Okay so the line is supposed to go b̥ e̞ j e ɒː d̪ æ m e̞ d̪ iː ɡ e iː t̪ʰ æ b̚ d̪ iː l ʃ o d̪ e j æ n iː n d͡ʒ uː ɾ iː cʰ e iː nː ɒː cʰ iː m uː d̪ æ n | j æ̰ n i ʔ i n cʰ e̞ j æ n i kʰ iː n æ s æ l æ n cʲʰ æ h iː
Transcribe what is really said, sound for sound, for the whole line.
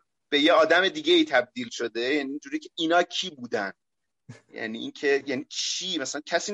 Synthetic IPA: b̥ e̞ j e ɒː d̪ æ m e̞ d̪ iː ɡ e iː t̪ʰ æ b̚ d̪ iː l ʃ o d̪ e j æ n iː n d͡ʒ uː ɾ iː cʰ e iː n ɒː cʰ iː b uː d̪ æ n | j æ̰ n i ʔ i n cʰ e̞ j æ n i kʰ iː m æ s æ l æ n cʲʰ æ s iː